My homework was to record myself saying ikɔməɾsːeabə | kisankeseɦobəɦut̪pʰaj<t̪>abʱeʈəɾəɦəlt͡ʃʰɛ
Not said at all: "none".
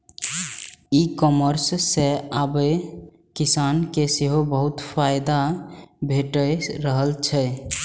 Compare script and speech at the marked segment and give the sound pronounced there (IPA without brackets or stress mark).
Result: d̪